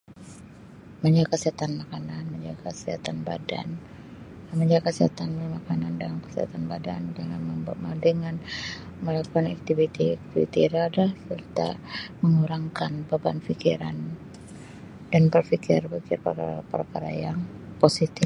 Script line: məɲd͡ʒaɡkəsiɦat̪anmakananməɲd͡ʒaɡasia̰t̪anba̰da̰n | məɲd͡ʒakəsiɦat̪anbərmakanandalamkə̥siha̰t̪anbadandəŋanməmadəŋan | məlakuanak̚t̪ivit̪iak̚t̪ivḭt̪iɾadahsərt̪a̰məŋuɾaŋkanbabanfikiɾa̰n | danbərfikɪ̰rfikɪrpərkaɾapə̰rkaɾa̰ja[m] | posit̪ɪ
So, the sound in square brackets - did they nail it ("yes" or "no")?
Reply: no